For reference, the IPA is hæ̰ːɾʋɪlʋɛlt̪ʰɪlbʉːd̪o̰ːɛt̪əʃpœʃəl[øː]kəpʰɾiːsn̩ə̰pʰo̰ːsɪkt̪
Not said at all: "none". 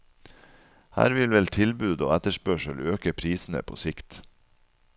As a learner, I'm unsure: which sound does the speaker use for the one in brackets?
øː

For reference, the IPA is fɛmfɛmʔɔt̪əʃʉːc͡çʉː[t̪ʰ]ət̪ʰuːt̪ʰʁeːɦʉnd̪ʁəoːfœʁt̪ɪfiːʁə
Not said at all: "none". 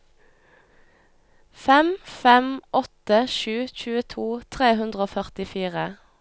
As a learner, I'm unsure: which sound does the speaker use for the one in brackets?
none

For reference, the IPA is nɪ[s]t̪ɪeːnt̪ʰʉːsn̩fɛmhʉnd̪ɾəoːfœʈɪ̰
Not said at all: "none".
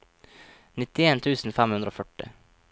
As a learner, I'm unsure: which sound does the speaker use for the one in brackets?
none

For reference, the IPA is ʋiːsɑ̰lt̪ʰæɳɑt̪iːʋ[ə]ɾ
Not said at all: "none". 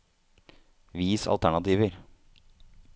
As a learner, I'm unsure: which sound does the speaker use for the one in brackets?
ə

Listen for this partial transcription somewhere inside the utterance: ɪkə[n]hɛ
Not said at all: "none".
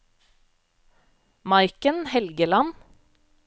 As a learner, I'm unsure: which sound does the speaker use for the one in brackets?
n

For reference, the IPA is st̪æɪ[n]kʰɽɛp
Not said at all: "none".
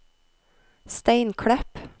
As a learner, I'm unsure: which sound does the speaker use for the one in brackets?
n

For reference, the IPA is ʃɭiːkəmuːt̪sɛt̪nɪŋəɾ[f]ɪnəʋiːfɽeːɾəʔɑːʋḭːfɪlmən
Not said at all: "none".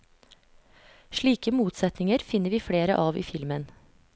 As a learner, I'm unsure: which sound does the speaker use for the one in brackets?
f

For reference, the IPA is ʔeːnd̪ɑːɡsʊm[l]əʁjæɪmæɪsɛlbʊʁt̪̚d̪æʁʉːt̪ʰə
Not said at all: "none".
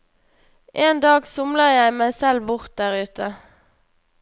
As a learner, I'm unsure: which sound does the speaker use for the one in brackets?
l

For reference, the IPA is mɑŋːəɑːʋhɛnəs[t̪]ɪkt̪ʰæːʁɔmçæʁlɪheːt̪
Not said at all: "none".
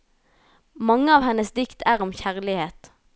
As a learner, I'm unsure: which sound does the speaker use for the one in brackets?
d̪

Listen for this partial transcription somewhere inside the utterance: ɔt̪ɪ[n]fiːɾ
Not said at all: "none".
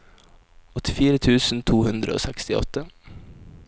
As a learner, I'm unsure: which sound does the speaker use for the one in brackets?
none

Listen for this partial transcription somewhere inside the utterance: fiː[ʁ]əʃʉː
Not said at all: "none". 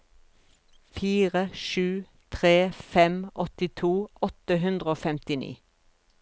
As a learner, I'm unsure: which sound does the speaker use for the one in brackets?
ʁ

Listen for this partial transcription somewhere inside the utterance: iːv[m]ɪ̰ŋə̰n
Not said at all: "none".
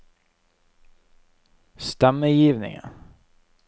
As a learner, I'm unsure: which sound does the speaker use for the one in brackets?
n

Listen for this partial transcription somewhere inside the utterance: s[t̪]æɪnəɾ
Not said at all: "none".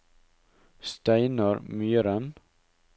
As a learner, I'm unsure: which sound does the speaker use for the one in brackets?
t̪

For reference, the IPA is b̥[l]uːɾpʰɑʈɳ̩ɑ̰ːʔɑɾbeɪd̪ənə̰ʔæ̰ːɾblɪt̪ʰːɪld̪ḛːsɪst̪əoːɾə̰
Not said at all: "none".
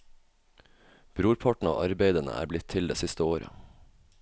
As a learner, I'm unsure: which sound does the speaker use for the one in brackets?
ɾ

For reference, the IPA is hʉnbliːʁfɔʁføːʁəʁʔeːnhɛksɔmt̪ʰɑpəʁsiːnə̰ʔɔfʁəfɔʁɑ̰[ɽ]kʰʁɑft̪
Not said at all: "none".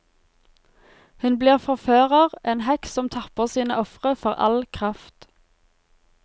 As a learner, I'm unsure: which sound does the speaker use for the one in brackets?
l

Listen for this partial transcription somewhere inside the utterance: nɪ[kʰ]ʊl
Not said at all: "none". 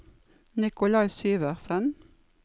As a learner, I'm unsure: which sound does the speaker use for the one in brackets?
k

